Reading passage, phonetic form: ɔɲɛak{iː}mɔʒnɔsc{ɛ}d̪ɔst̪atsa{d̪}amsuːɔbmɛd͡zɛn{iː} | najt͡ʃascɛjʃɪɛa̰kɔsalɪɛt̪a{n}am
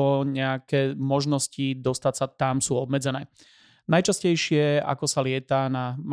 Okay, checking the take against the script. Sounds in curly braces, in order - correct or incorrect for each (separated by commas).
incorrect, incorrect, incorrect, incorrect, correct